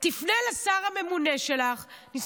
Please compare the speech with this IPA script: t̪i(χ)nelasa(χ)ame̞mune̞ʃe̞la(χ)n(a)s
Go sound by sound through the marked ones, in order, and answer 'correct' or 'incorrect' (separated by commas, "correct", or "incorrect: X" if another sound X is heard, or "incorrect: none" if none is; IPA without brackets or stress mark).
incorrect: f, incorrect: ʁ, correct, incorrect: i